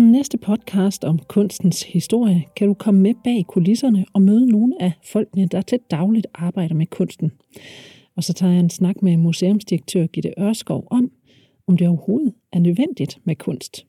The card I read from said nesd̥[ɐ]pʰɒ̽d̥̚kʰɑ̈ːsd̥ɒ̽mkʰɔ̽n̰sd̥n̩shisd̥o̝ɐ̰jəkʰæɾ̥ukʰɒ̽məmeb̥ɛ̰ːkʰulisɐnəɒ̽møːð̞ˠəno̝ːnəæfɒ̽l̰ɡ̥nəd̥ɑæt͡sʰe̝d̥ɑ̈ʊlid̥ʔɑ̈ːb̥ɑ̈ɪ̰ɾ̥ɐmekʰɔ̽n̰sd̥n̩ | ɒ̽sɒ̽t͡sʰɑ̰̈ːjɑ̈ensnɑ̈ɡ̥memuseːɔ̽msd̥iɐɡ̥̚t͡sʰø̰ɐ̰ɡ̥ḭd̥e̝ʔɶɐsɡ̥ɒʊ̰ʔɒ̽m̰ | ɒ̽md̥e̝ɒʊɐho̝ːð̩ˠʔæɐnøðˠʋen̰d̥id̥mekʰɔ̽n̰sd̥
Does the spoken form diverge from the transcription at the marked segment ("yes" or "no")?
yes